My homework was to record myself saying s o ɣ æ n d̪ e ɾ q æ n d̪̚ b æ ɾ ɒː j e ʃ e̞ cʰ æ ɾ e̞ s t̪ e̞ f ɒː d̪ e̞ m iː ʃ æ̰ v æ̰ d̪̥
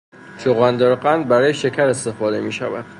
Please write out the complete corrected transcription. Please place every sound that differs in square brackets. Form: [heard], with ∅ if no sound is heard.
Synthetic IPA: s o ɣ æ n d̪ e ɾ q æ n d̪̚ b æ ɾ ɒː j e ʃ e̞ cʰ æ ɾ e̞ s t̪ e̞ f ɒː d̪ e̞ m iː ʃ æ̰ v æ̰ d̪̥